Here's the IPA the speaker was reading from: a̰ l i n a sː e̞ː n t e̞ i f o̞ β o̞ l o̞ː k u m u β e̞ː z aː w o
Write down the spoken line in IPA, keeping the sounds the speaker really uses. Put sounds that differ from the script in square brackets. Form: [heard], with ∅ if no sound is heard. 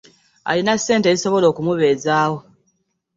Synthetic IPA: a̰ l i n a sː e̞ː n t e̞ i [s] o̞ β o̞ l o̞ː k u m u β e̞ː z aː w o